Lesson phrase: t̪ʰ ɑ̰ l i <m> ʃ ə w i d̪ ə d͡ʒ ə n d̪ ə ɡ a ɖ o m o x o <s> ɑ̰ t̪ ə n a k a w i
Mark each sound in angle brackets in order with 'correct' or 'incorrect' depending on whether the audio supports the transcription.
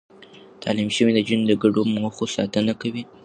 correct, correct

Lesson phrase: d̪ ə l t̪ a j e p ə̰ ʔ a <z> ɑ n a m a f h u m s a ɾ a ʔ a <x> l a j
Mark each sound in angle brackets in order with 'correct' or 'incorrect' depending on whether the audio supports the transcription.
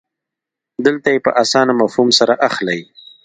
incorrect: s, correct

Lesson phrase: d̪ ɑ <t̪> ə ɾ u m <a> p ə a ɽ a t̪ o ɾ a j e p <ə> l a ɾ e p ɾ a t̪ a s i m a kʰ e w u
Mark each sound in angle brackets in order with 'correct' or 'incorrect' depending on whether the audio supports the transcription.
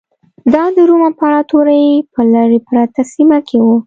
incorrect: d̪, correct, correct

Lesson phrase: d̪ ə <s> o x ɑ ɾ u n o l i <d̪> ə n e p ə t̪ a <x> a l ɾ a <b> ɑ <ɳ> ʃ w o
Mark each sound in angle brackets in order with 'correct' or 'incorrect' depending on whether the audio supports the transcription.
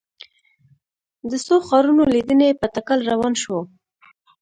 correct, correct, incorrect: k, incorrect: w, incorrect: n

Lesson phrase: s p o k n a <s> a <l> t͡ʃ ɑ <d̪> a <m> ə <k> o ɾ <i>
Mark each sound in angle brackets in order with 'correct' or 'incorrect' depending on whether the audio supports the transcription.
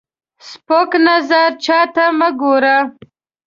incorrect: z, incorrect: ɾ, incorrect: t̪, correct, incorrect: ɡ, incorrect: a

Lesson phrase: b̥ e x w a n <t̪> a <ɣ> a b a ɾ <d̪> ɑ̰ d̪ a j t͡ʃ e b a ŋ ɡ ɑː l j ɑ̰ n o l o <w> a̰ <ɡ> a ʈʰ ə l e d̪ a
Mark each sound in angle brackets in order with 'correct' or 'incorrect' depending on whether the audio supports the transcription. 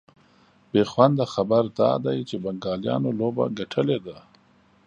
incorrect: d̪, incorrect: x, correct, incorrect: b, correct

